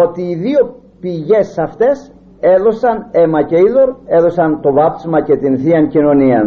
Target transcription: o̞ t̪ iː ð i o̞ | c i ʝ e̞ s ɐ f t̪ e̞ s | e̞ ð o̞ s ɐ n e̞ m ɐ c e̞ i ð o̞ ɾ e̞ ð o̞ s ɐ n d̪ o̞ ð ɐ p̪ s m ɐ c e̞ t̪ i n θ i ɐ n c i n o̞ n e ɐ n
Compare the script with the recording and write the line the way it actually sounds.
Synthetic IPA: o̞ t̪ iː ð i o̞ | p i ʝ e̞ s ɐ f t̪ e̞ s | e̞ ð o̞ s ɐ n e̞ m ɐ c e̞ i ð o̞ ɾ e̞ ð o̞ s ɐ n t̪ o̞ v ɐ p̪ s m ɐ c e̞ t̪ i n θ i ɐ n c i n o̞ n i ɐ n